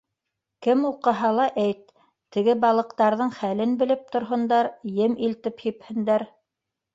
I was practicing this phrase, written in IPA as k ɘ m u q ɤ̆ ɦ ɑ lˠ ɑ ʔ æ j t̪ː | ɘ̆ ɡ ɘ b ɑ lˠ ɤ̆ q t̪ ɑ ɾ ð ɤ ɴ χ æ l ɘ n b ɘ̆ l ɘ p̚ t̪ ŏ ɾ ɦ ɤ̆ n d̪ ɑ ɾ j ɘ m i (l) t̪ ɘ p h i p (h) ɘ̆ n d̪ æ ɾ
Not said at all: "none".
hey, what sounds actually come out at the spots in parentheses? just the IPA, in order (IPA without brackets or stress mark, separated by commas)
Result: l, h